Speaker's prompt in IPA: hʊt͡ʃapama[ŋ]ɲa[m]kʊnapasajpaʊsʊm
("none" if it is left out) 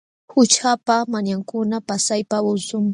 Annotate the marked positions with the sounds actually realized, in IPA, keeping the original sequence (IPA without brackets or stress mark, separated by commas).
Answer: none, ŋ